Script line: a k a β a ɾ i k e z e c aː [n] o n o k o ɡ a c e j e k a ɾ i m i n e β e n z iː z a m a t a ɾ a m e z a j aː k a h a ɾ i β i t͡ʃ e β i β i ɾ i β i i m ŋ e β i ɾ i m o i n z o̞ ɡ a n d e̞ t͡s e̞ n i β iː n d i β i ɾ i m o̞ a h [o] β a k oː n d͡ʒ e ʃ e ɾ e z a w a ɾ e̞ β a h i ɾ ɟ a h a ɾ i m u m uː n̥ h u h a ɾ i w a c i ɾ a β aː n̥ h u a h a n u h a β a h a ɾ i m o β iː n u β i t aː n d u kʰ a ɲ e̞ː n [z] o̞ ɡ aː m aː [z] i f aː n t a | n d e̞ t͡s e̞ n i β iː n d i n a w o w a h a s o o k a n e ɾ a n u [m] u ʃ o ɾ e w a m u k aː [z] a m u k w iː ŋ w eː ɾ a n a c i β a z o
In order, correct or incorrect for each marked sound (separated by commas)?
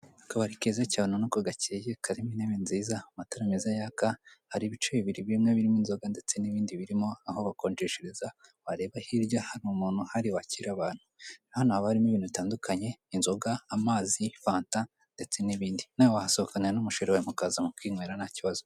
correct, correct, correct, correct, correct, correct